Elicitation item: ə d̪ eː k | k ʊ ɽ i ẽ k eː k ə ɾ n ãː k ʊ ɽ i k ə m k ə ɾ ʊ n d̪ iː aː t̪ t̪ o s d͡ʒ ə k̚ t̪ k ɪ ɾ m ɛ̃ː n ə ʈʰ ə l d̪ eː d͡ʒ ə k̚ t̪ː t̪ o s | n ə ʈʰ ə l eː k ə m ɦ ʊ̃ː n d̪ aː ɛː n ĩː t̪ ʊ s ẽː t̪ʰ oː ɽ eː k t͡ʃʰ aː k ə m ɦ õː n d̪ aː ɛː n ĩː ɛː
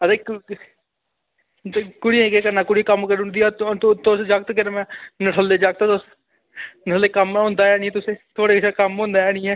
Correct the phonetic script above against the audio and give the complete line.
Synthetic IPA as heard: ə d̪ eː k | k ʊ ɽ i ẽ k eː k ə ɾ n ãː k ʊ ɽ i k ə m k ə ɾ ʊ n d̪ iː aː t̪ t̪ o s d͡ʒ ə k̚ t̪ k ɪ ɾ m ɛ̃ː n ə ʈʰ ə l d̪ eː d͡ʒ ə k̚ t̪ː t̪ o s | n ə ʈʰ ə l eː k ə m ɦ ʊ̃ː n d̪ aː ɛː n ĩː t̪ ʊ s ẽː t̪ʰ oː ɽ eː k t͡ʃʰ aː k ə m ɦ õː n d̪ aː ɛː n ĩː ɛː